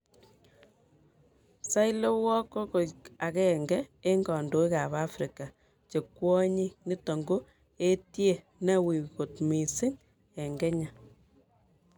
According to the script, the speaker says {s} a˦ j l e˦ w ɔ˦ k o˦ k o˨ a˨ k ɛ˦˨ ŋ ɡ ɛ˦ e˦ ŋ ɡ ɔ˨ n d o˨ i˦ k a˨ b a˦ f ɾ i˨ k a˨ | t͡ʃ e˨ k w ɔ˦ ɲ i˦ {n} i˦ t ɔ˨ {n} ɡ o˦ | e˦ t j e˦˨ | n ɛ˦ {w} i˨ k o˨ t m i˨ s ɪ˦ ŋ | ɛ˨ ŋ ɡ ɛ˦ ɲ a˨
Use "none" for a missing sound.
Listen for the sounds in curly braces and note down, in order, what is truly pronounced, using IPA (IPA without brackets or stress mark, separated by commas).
s, n, ŋ, w